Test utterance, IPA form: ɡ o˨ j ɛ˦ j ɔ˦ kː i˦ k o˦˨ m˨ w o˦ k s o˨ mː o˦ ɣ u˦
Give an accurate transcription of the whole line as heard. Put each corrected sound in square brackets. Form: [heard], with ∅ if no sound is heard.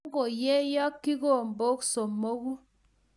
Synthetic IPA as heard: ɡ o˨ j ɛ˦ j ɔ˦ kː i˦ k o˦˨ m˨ [b] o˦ k s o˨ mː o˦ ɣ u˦